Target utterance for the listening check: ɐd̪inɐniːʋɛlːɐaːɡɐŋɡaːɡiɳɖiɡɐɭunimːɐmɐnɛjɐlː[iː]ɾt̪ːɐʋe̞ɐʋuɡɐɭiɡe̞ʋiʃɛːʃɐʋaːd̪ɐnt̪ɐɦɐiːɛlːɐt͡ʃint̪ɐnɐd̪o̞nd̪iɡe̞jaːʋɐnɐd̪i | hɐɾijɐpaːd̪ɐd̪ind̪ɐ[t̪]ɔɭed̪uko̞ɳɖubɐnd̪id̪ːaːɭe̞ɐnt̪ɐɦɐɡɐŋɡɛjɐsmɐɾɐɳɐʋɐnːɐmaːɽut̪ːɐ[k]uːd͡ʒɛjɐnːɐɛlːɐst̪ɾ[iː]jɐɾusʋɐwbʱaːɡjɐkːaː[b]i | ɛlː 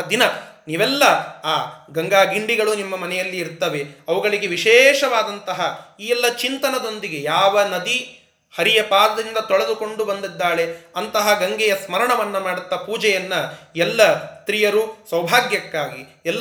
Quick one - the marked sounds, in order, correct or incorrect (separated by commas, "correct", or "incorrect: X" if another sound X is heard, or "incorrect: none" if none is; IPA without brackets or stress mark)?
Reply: correct, correct, incorrect: p, incorrect: i, incorrect: ɡ